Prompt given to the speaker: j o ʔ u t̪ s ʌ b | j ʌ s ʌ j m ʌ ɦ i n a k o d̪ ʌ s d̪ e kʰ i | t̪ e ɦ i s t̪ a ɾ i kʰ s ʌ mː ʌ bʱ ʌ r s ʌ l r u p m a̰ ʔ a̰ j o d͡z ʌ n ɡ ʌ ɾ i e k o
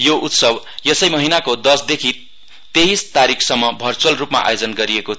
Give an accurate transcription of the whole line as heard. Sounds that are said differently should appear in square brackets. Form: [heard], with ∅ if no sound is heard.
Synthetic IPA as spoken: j o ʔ u t̪ s ʌ b | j ʌ s ʌ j m ʌ ɦ i n a k o d̪ ʌ s d̪ e kʰ i | t̪ e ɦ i s t̪ a ɾ i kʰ s ʌ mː ʌ bʱ ʌ r [t͡s] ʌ l r u p m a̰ ʔ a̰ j o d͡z ʌ n ɡ ʌ ɾ i e k o